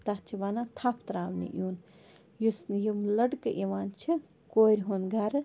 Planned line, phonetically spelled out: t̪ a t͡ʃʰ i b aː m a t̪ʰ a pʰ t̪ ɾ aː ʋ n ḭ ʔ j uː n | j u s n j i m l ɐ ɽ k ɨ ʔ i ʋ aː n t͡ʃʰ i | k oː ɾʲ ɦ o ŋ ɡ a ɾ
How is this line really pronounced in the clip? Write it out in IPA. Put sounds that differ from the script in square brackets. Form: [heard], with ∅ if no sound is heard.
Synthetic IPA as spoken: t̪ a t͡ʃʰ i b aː [n] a t̪ʰ a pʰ t̪ ɾ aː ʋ n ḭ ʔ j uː n | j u s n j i m l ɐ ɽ k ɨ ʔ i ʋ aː n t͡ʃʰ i | k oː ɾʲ ɦ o [n] ɡ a ɾ